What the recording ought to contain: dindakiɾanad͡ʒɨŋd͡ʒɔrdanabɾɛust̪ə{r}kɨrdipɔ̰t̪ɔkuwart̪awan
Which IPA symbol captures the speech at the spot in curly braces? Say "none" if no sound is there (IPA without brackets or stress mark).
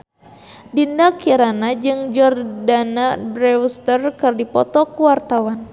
r